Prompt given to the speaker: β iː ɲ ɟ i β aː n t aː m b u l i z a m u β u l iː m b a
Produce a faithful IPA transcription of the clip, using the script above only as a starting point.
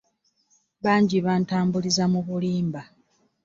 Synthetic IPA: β aː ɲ ɟ i β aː n t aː m b u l i z a m u β u l iː m b a